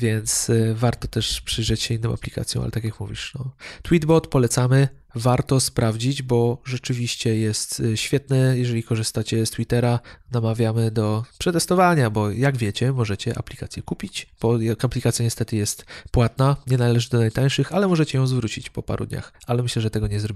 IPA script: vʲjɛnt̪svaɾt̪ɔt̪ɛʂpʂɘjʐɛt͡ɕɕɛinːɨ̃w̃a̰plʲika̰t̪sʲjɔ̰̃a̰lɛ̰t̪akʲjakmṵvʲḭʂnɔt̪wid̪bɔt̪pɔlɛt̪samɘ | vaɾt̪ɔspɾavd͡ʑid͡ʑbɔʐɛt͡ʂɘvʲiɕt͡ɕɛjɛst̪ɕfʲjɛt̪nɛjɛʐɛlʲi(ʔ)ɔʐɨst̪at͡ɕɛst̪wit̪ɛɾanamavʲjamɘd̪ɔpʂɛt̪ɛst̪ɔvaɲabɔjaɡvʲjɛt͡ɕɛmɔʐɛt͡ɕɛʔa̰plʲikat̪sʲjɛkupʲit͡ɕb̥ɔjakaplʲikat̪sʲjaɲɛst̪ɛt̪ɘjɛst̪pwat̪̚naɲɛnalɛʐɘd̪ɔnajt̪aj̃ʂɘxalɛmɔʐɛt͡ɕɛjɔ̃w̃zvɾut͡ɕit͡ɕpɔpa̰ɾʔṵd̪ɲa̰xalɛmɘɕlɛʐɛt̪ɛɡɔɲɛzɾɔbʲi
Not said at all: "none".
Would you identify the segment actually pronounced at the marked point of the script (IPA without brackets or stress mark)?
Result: k